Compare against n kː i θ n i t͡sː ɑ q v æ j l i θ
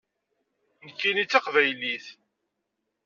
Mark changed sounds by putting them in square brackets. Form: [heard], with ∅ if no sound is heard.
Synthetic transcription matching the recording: n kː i [∅] n i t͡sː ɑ q v æ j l i θ